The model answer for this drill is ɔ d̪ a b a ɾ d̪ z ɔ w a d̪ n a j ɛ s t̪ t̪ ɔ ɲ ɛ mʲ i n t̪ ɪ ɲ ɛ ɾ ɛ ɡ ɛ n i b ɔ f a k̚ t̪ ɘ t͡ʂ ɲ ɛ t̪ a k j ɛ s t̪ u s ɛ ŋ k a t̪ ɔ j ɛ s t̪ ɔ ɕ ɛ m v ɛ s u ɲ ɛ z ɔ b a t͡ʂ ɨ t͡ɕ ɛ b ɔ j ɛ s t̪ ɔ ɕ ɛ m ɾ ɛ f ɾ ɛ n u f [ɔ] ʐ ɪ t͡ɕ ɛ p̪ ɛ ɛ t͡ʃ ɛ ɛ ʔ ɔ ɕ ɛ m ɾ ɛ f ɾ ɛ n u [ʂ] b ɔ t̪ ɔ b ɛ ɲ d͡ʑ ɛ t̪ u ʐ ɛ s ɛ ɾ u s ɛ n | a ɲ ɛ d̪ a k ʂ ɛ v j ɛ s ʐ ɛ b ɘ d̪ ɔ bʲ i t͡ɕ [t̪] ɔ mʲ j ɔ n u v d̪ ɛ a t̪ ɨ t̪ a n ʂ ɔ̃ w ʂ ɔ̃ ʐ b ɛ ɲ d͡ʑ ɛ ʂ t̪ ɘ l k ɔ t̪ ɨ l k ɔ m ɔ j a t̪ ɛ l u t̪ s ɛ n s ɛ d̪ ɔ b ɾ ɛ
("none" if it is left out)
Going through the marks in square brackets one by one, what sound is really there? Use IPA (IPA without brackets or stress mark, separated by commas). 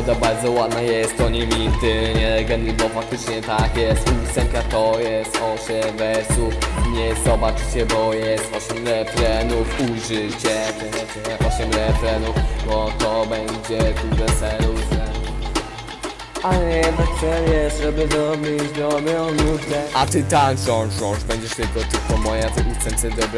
u, f, d̪